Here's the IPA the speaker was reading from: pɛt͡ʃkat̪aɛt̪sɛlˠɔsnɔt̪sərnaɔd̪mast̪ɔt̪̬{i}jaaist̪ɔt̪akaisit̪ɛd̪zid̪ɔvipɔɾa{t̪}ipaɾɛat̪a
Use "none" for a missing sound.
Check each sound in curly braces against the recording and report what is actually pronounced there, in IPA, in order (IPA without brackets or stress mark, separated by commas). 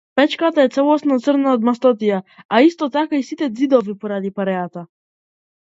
i, d̪